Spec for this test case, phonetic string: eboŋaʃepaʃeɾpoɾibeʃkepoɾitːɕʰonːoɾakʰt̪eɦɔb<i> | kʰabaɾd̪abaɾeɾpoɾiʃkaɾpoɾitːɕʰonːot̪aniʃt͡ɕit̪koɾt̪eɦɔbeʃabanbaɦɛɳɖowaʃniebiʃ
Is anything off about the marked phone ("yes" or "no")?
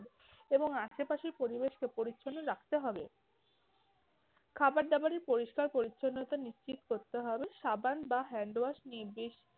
yes